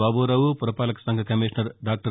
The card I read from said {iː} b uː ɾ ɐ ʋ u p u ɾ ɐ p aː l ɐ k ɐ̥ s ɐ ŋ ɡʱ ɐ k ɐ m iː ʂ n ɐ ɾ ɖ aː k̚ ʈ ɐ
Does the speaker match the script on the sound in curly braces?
no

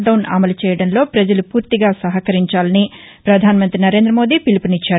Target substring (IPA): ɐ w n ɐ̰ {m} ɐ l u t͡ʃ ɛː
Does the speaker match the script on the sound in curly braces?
yes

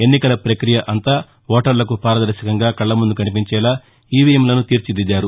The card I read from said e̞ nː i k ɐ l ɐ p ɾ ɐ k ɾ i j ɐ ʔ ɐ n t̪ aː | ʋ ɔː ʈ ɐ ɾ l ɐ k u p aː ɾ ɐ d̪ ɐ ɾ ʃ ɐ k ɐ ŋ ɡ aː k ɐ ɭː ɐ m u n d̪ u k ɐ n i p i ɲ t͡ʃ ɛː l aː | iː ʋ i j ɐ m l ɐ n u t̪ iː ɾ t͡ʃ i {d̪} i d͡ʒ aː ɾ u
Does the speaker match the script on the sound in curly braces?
yes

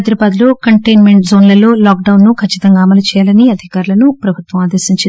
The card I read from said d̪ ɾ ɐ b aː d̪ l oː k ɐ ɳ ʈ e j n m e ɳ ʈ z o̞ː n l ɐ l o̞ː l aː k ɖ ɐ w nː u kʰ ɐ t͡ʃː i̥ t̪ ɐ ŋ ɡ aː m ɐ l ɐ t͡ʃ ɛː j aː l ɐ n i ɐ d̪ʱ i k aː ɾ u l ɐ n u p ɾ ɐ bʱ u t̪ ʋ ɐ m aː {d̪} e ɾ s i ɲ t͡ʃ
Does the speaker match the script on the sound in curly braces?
yes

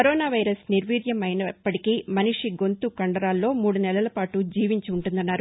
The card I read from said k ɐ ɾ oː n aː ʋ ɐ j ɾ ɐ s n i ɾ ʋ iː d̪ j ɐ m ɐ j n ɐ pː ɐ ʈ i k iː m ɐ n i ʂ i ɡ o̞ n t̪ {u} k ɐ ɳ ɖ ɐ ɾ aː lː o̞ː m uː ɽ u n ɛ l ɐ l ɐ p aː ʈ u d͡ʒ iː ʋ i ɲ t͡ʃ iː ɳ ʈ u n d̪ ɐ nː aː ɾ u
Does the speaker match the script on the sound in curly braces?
yes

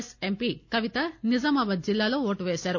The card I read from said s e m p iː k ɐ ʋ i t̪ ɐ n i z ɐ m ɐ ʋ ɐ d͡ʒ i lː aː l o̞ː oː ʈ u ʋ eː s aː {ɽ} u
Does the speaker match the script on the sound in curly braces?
no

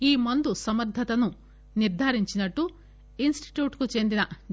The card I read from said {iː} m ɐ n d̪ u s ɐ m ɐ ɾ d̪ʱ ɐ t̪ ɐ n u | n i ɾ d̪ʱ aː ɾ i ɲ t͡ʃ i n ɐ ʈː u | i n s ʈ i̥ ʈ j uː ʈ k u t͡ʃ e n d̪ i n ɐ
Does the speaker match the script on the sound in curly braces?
yes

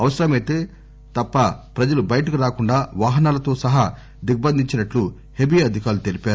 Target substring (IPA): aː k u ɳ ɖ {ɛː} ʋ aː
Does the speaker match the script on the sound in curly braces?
no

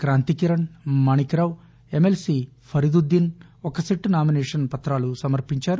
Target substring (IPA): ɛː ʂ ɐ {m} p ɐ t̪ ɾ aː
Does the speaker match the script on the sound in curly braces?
no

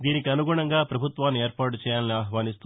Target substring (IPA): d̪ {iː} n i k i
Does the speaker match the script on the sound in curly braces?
yes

